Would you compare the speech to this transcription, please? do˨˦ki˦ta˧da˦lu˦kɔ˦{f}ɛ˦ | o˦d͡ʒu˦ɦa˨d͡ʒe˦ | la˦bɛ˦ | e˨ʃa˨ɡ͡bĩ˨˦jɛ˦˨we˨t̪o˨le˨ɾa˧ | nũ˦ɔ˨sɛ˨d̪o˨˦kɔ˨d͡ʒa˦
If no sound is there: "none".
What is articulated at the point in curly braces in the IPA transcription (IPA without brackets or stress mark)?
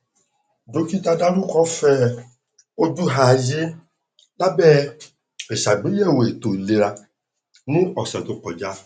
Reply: f